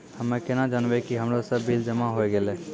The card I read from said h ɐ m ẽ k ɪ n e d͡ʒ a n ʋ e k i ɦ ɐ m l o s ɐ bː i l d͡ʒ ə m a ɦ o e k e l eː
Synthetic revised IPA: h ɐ m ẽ k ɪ n a d͡ʒ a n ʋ e k i ɦ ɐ m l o s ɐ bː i l d͡ʒ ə m a ɦ o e ɡ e l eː